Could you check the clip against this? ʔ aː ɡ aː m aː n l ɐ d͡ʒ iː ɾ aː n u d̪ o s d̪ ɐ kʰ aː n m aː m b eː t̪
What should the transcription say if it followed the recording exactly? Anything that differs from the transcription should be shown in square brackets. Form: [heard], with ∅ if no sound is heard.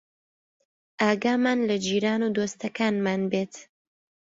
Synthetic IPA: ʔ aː ɡ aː m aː n l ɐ d͡ʒ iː ɾ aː n u d̪ o s [t̪] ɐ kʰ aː n m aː [n] b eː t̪